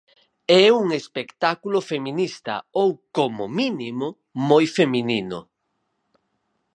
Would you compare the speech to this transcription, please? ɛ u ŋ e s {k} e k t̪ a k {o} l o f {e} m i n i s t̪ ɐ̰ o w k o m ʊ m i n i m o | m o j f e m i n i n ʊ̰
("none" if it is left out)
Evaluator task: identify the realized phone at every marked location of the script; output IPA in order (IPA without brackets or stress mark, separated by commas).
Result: p, u, e